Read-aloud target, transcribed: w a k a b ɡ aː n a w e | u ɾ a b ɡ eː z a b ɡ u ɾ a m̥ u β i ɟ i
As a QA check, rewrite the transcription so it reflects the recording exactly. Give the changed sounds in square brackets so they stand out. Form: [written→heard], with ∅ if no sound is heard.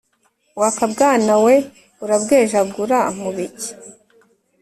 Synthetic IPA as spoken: w a k a b ɡ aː n a w e | u ɾ a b ɡ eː [z→ʒ] a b ɡ u ɾ a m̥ u β i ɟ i